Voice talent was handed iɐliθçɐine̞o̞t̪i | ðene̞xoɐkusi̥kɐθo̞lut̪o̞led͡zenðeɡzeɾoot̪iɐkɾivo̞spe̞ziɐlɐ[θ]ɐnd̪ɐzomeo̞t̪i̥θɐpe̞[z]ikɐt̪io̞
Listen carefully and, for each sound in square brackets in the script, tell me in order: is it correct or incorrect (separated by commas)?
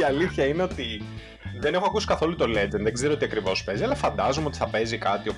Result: incorrect, correct